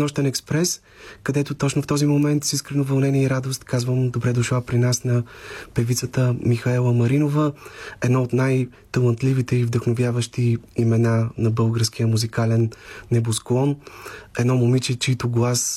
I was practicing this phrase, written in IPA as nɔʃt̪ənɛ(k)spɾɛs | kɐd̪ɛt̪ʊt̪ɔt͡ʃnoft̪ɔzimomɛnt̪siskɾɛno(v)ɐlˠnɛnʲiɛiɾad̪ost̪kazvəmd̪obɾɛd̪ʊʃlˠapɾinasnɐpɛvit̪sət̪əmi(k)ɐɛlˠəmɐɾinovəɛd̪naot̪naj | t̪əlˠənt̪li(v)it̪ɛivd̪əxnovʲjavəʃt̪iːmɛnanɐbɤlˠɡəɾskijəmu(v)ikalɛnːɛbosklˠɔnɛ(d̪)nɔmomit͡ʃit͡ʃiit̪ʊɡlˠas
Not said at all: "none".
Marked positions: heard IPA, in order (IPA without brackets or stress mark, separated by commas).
k, v, x, v, z, d̪